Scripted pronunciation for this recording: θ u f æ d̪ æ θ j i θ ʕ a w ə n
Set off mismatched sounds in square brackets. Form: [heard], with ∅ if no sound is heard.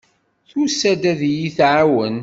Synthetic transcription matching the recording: θ u [s] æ d̪ æ [ð] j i θ ʕ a w ə n